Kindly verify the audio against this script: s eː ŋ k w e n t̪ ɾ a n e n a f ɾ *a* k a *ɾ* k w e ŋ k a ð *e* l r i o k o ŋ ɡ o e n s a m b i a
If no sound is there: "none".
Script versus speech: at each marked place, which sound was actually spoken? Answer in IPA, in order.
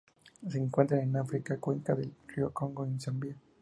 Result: i, none, e

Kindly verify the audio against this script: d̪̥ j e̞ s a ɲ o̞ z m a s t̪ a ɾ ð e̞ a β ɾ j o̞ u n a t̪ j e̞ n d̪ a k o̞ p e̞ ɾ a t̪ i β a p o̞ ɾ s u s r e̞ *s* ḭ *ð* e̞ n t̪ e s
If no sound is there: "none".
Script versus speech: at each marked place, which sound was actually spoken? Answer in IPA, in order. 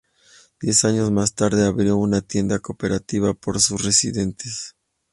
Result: s, ð

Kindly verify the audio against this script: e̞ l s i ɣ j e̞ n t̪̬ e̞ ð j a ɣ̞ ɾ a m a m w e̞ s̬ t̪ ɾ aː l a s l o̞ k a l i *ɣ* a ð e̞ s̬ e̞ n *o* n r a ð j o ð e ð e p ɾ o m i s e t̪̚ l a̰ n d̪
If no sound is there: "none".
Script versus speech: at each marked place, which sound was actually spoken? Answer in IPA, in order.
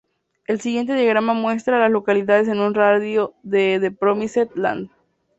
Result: ð, u

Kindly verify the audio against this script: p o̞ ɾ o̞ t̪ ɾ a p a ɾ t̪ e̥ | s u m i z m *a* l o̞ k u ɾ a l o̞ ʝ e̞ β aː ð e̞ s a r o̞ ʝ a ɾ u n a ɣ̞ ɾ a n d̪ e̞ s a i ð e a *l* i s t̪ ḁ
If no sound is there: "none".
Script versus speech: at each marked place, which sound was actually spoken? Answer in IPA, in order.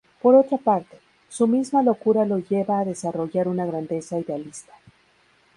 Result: a, l

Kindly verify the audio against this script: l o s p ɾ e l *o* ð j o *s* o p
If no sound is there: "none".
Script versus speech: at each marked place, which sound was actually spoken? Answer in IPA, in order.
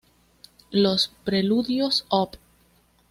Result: u, s

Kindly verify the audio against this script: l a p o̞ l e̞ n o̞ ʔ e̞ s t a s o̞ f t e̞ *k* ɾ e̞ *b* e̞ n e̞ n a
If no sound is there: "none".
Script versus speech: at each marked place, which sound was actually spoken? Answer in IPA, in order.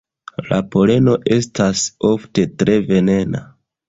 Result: t, v

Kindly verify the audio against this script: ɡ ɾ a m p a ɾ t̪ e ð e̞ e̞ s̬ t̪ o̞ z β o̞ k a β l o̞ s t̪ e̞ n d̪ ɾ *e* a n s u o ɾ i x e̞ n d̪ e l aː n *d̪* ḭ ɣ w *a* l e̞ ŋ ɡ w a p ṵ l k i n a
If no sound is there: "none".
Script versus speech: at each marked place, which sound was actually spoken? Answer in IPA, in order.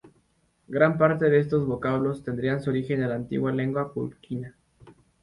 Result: i, t̪, a

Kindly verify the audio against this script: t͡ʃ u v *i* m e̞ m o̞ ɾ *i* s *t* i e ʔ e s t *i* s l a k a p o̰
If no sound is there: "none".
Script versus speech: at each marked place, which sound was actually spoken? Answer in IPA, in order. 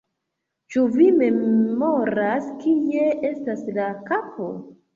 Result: i, a, k, a

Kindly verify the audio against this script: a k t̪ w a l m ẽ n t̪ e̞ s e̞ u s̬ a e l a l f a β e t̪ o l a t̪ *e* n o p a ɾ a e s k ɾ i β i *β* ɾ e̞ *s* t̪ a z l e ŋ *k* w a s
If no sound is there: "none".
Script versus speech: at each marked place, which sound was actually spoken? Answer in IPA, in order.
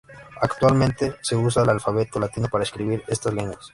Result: i, none, s, ɡ

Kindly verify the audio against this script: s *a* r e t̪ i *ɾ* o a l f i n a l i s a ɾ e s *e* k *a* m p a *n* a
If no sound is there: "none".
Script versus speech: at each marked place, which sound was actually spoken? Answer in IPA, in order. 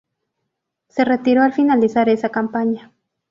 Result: e, ɾ, a, a, ɲ

